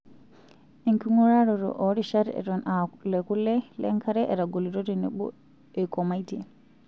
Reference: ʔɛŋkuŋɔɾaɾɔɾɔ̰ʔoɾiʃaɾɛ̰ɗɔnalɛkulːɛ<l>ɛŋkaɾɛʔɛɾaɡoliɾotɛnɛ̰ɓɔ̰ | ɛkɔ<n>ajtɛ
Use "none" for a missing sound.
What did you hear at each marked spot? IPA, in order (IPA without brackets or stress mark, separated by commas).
l, m